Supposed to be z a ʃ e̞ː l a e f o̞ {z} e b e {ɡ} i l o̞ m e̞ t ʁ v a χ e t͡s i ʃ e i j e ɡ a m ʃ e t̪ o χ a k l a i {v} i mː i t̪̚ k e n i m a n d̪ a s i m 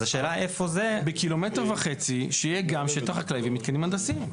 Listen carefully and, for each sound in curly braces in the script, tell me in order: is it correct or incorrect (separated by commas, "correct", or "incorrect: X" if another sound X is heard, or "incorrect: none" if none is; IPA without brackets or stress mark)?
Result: correct, incorrect: k, correct